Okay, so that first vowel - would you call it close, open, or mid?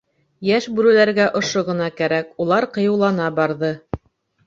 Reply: open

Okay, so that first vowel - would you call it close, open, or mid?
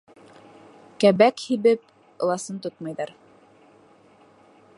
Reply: open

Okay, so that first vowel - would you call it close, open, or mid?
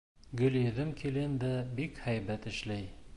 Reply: mid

